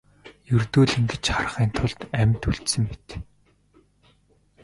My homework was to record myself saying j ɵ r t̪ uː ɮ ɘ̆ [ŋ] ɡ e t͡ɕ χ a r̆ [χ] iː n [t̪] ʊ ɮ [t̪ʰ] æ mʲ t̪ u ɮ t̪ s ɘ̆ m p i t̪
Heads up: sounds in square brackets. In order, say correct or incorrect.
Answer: correct, correct, incorrect, incorrect

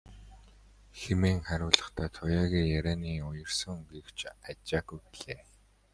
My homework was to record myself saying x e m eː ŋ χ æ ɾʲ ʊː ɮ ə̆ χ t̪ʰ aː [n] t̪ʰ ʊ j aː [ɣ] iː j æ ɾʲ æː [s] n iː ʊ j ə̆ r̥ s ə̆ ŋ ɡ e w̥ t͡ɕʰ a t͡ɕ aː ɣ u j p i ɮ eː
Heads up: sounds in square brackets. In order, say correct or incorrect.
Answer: incorrect, correct, incorrect

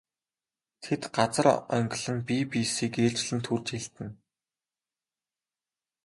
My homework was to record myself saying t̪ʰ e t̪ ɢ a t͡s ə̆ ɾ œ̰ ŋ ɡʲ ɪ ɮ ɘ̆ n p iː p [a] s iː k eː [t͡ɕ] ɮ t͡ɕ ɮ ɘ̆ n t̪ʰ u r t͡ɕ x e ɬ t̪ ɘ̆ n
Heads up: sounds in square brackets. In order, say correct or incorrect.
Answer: incorrect, incorrect

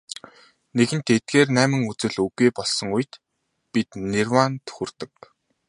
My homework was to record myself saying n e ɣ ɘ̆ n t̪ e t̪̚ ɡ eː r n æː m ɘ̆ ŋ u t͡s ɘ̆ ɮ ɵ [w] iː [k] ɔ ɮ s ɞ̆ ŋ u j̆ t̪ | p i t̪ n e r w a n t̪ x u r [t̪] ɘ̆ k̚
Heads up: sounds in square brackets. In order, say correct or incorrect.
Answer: incorrect, incorrect, correct

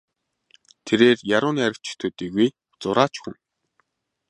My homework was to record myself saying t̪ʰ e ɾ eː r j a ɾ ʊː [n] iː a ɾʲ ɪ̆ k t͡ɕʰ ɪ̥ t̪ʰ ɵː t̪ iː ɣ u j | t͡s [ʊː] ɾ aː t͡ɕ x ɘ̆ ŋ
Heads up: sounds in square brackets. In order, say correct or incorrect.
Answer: correct, incorrect

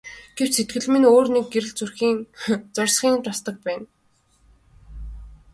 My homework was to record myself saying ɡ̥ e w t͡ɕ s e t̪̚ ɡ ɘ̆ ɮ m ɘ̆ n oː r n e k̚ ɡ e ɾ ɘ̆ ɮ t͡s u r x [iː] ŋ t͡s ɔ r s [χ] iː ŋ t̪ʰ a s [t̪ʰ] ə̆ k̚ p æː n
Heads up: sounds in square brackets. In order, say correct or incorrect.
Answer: correct, correct, incorrect

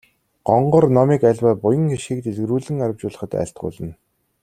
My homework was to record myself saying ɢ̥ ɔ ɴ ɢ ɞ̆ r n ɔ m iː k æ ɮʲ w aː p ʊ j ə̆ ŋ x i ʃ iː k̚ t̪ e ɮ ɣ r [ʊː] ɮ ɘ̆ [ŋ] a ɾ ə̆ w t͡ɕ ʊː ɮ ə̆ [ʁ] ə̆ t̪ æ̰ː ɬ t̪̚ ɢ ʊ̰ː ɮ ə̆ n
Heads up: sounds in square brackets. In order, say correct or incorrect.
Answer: incorrect, correct, incorrect

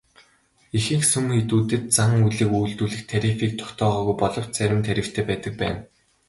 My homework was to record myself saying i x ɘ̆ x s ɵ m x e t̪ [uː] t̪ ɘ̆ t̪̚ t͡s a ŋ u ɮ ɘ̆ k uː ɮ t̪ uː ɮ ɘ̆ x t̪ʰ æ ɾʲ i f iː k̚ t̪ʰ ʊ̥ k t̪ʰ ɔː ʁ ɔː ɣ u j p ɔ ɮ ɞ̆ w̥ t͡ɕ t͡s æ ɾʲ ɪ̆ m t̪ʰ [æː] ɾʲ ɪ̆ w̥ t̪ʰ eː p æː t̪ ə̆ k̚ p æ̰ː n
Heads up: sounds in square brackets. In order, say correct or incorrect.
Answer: correct, incorrect

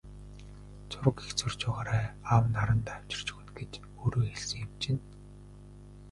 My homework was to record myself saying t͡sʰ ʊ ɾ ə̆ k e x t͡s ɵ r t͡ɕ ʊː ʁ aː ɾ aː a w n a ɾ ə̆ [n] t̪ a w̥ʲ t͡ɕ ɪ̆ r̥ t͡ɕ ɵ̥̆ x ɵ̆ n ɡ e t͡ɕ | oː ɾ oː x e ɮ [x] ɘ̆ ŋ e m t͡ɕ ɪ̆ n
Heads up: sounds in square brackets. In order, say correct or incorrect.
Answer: correct, incorrect

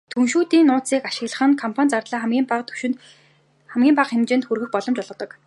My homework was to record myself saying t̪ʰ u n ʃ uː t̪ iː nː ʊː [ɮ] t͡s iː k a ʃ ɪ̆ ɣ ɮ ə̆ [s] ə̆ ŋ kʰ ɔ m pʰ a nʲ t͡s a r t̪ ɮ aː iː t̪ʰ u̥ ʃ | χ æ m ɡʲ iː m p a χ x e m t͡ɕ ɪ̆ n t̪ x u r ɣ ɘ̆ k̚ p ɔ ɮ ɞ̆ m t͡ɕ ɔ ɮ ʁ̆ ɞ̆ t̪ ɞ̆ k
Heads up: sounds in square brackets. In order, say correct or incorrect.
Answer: incorrect, incorrect

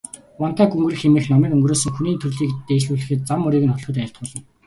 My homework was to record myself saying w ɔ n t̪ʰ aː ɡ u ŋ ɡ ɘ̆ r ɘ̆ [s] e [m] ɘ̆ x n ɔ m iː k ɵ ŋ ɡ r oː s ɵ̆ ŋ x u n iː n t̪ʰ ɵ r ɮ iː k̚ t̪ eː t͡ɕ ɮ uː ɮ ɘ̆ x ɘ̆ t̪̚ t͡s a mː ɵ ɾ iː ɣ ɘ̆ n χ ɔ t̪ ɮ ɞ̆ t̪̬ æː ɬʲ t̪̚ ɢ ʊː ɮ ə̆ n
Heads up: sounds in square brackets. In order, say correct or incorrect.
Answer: incorrect, correct

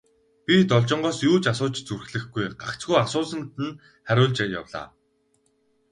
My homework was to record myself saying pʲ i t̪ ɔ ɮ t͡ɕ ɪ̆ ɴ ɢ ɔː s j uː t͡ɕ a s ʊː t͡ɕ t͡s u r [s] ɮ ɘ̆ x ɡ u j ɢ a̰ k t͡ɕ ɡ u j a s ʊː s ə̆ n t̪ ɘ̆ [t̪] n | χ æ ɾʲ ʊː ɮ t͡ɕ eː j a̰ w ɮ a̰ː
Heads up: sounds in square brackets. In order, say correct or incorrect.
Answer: incorrect, incorrect

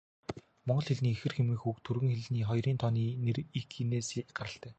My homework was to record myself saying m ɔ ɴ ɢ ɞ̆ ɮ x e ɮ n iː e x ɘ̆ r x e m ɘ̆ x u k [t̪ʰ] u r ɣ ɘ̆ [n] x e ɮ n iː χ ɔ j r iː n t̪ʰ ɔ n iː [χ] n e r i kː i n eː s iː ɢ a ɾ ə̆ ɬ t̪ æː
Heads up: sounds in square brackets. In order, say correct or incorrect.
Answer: correct, incorrect, incorrect

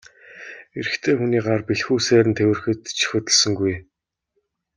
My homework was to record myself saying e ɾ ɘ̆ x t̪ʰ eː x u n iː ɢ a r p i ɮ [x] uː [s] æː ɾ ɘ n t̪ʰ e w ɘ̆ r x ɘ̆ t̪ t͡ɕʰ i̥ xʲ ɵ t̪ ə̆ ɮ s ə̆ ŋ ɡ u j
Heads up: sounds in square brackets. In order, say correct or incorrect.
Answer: correct, correct

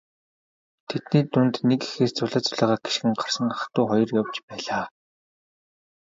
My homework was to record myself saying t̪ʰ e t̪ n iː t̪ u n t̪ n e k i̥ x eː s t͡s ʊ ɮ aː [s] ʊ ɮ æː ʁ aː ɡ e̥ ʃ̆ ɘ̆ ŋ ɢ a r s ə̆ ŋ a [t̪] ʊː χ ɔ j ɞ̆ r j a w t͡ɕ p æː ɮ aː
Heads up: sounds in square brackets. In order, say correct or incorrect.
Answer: incorrect, correct

